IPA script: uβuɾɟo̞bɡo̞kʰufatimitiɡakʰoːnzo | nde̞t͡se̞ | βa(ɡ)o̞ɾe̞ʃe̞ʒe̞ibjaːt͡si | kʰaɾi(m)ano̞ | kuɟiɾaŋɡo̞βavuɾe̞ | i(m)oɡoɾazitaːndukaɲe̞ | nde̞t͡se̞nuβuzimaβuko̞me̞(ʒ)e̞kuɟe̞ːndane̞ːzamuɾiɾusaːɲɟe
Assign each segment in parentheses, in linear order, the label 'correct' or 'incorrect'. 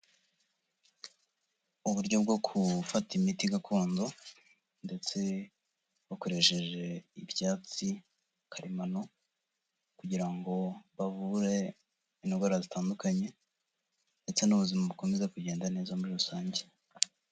incorrect: k, correct, incorrect: n, incorrect: z

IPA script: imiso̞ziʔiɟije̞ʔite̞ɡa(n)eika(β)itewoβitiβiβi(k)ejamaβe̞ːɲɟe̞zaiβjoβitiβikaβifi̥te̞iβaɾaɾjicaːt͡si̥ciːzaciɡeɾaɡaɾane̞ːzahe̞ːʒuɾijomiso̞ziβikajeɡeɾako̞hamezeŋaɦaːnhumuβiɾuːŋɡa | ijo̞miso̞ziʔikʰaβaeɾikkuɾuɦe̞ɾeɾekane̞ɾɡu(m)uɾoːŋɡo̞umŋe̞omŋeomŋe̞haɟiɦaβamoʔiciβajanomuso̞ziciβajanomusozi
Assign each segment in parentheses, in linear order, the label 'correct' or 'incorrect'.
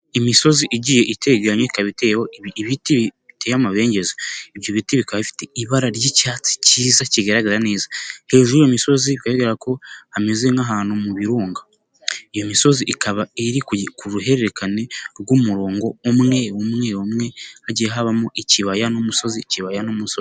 incorrect: ɲ, correct, incorrect: t, correct

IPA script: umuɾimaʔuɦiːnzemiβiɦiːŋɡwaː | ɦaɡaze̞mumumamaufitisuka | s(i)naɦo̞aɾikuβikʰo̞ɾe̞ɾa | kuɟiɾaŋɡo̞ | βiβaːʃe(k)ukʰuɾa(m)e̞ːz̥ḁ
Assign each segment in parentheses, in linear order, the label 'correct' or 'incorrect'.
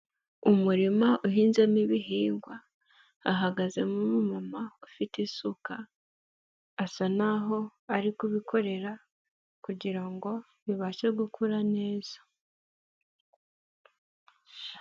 incorrect: a, incorrect: ɡ, incorrect: n

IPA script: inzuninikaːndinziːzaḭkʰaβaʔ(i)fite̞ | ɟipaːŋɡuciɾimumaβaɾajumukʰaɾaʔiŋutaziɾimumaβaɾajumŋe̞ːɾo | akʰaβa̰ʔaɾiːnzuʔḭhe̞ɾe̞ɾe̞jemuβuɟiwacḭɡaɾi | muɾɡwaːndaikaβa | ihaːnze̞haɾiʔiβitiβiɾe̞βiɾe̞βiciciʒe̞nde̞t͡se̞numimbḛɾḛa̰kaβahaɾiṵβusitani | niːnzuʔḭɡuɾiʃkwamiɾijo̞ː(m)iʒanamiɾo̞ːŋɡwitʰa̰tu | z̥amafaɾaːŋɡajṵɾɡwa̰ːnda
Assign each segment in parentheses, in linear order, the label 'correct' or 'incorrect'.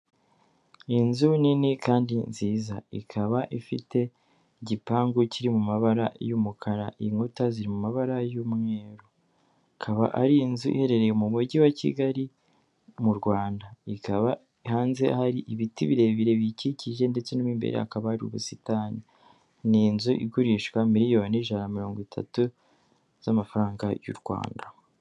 correct, incorrect: n

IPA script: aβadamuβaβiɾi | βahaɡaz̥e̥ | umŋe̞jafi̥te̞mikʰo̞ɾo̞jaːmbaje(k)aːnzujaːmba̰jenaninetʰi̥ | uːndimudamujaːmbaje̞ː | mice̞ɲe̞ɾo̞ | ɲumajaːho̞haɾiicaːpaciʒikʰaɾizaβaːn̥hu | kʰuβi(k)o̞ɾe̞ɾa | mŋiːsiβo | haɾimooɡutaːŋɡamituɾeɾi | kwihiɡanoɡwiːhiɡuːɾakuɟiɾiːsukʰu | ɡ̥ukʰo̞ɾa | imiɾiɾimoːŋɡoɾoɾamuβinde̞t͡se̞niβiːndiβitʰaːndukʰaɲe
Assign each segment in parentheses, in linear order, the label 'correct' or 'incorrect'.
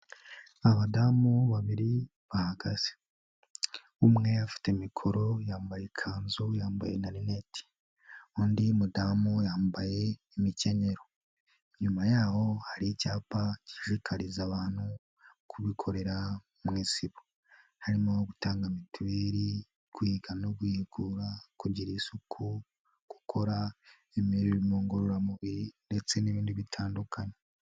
incorrect: kʰ, incorrect: kʰ

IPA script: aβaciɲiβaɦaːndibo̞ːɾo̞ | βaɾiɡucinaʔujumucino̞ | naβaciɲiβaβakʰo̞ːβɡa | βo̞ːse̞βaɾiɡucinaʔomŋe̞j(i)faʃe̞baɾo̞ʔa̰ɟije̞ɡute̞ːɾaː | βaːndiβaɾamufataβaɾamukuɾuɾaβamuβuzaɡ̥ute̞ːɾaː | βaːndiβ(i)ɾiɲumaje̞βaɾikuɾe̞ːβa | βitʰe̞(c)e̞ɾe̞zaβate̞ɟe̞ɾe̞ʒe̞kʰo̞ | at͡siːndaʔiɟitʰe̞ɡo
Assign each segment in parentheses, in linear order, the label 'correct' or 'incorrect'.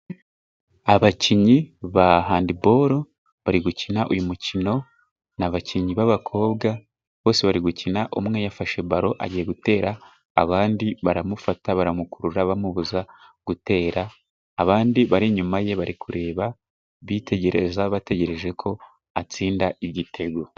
incorrect: a, incorrect: a, incorrect: ɟ

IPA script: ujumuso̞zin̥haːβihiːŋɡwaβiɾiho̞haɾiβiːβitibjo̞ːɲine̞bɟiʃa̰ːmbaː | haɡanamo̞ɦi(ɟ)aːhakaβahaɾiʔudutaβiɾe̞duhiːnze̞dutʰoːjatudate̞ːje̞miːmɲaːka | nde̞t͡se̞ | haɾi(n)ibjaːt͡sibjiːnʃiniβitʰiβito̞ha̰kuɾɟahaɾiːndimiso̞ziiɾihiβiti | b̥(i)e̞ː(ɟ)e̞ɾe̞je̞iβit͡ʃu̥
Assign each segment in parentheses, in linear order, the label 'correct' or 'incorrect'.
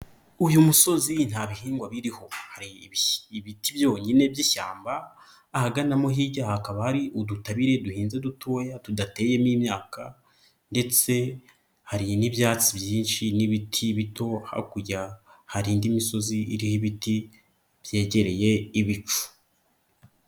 correct, correct, incorrect: j, correct

